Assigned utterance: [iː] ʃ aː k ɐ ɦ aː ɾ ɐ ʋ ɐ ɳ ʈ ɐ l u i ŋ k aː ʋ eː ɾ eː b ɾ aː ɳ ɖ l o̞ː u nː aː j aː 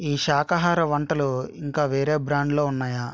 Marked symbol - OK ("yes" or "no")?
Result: yes